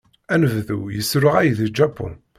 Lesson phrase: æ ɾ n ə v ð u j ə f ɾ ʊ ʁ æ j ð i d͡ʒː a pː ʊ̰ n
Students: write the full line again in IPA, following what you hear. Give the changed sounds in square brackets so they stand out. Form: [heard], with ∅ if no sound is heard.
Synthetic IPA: æ [∅] n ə v ð u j ə [s] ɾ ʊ ʁ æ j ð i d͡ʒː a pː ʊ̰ n